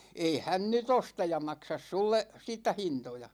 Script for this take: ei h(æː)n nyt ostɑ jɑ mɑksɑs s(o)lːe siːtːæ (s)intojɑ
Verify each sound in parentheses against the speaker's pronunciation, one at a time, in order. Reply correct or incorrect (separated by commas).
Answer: incorrect, incorrect, incorrect